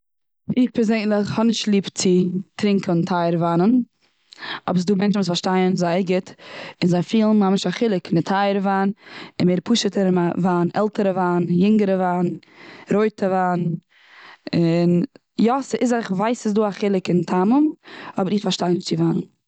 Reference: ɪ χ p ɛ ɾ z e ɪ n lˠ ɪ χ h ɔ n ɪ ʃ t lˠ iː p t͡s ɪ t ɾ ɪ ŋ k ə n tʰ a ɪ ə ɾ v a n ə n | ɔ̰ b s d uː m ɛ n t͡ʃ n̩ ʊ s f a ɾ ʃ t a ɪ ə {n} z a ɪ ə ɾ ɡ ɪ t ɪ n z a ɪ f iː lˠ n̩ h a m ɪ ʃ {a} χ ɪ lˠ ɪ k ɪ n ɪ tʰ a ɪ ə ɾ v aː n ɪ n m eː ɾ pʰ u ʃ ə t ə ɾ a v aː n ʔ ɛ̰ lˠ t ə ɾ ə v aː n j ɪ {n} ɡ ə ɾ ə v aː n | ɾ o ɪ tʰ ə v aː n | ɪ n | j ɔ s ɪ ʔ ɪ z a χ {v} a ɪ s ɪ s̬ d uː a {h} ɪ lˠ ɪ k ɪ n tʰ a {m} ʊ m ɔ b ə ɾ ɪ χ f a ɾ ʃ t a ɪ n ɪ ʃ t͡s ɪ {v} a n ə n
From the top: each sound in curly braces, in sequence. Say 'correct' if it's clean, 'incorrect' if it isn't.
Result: correct, correct, incorrect: ŋ, correct, incorrect: χ, correct, correct

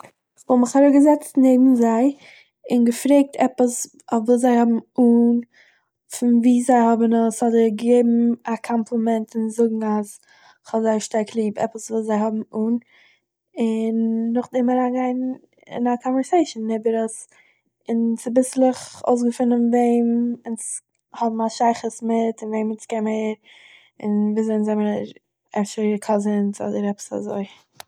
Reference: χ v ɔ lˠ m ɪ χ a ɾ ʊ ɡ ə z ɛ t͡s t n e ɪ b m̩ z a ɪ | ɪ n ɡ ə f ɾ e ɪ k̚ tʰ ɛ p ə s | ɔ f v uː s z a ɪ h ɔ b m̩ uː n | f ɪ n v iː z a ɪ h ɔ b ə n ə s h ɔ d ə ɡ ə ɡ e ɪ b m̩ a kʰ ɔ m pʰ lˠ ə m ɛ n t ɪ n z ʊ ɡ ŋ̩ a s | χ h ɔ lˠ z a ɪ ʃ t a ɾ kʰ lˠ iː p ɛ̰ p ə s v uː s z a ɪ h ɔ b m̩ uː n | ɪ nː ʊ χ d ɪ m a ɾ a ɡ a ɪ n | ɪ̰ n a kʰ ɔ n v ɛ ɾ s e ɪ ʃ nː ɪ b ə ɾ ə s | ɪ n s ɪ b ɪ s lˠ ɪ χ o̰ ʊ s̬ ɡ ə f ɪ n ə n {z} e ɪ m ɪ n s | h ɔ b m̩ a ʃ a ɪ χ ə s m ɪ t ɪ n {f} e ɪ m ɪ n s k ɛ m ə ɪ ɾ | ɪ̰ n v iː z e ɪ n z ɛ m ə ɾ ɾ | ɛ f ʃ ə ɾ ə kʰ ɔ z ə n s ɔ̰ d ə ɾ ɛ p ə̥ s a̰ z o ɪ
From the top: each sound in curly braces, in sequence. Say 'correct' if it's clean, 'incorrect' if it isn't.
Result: incorrect: v, incorrect: v

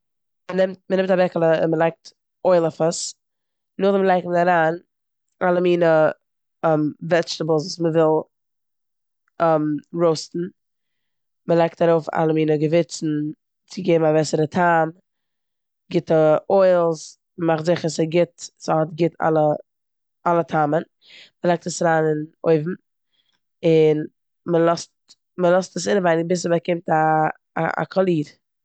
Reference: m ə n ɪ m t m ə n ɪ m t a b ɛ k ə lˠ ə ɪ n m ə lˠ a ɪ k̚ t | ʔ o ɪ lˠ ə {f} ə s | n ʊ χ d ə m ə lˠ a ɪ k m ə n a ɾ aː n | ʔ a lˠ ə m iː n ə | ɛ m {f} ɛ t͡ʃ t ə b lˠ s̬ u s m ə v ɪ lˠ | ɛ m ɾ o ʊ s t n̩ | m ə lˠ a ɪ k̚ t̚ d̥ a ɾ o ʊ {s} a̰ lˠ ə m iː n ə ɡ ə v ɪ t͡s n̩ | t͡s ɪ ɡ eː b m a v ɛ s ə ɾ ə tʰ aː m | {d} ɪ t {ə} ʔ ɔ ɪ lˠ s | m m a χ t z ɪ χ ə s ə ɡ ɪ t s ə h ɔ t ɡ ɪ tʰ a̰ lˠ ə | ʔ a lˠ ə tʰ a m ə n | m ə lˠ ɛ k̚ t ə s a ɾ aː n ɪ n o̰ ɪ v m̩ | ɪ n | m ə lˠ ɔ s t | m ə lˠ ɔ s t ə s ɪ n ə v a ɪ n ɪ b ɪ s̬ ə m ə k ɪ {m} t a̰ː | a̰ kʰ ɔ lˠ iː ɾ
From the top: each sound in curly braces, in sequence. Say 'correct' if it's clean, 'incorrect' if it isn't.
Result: correct, incorrect: v, incorrect: f, incorrect: ɡ, correct, correct

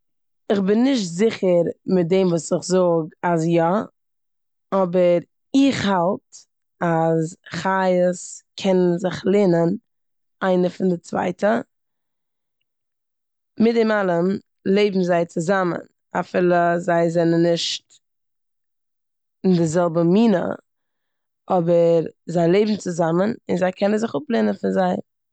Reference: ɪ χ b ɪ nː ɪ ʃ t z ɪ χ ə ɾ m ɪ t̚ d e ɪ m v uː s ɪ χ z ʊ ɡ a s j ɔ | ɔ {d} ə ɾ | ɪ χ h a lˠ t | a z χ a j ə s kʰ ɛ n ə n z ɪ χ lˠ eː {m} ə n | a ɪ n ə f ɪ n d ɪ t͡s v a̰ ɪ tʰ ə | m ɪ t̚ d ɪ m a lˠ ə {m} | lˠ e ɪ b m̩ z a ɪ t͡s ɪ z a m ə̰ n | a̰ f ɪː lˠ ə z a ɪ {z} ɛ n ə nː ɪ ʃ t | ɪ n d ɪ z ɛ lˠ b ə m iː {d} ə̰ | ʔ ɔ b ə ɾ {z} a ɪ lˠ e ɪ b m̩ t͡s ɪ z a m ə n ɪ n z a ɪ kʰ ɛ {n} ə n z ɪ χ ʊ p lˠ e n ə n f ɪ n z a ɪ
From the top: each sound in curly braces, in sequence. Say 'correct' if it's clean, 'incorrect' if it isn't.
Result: incorrect: b, incorrect: n, correct, correct, incorrect: n, correct, correct

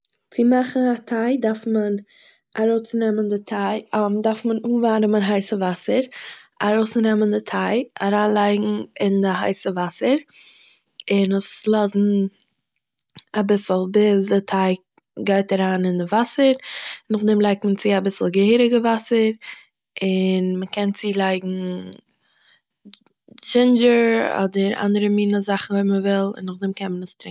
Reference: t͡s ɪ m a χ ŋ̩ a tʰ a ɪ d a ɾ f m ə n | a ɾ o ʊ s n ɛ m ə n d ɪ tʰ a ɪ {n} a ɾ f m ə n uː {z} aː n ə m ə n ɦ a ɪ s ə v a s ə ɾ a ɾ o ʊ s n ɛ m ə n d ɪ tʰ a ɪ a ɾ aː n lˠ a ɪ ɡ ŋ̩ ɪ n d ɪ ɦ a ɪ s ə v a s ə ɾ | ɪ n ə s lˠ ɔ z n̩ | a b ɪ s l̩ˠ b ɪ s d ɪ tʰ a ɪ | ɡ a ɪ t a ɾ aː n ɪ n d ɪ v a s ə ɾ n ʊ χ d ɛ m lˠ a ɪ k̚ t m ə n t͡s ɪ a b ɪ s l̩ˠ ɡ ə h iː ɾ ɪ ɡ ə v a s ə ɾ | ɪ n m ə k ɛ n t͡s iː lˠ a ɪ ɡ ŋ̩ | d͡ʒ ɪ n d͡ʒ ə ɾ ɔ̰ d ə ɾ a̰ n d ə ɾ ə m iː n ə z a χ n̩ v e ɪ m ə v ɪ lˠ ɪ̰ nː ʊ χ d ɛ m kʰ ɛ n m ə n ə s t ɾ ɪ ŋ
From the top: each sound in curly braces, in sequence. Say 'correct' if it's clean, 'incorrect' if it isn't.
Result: incorrect: d, incorrect: v

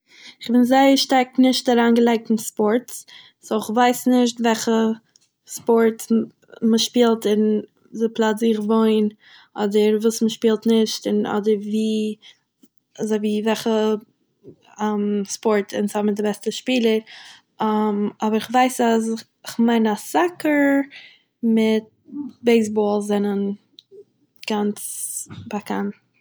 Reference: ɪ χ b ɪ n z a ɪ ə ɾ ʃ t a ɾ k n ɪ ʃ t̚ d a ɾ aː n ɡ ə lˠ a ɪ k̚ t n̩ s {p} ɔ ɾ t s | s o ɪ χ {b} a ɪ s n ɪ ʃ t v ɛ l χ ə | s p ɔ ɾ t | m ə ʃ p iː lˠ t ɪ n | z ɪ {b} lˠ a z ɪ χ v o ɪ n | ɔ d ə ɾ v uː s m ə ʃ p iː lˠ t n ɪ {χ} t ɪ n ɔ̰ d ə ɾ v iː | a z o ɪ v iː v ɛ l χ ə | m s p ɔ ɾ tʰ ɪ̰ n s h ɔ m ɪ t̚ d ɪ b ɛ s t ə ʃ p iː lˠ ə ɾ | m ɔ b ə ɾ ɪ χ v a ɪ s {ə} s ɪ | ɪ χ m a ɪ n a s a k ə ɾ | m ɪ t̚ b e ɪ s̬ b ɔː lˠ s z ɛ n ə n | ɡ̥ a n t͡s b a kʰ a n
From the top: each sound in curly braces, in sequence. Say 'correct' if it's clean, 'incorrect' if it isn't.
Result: correct, incorrect: v, incorrect: p, incorrect: ʃ, incorrect: a

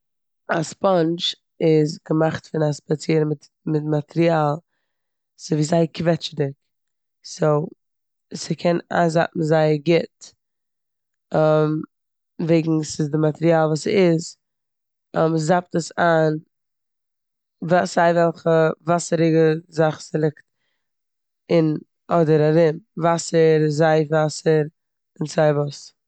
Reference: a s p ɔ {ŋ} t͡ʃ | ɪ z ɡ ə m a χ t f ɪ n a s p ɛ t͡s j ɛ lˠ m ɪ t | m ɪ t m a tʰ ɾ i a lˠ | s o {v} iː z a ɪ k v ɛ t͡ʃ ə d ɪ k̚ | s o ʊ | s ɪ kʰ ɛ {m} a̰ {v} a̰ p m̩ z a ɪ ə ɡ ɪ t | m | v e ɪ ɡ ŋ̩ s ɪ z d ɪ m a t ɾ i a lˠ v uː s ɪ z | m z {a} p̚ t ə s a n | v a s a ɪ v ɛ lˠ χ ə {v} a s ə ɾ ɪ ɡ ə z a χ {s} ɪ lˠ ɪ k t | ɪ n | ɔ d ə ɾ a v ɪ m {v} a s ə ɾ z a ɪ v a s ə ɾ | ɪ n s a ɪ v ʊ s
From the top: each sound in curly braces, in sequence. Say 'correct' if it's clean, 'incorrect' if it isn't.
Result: incorrect: n, correct, incorrect: n, incorrect: z, correct, correct, correct, correct

